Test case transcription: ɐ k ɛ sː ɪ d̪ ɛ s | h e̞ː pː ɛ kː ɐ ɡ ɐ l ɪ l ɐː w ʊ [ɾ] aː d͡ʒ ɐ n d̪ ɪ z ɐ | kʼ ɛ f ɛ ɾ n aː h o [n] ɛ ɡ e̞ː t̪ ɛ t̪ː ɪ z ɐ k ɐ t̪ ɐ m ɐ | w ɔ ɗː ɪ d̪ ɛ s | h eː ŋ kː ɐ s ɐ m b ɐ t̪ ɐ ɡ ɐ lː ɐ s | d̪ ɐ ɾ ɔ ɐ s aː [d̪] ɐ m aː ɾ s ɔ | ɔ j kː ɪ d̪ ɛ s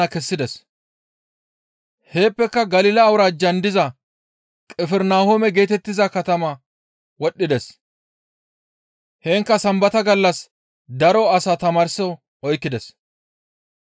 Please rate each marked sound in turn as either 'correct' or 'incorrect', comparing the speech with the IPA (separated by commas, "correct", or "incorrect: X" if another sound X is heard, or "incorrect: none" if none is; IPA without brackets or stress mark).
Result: correct, incorrect: m, incorrect: t̪